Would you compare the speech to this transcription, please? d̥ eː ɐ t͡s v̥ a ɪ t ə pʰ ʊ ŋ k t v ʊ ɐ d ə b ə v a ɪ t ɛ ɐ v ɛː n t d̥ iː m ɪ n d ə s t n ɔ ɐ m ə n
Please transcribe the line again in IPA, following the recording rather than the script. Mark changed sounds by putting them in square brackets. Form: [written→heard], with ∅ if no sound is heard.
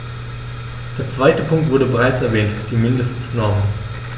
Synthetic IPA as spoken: d̥ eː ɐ t͡s v̥ a ɪ t ə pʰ ʊ ŋ k t v ʊ ɐ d ə b ə [v→ʁ] a ɪ [t→t͡s] ɛ ɐ v ɛː n t d̥ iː m ɪ n d ə s t n ɔ ɐ m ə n